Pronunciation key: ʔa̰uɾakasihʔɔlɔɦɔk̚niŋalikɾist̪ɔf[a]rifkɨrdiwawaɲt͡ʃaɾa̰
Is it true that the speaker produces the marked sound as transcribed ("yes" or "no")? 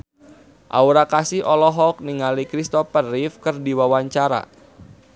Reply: no